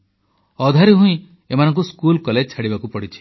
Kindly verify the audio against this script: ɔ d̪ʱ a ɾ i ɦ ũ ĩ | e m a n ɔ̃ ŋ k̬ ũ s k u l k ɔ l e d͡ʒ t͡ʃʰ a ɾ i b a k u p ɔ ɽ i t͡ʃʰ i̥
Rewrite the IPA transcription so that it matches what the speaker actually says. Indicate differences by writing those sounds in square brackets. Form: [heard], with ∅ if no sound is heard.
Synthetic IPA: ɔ d̪ʱ a ɾ i ɦ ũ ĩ | e m a n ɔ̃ ŋ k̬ [u] s k u l k ɔ l e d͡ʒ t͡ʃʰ a [ɽ] i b a k u p ɔ ɽ i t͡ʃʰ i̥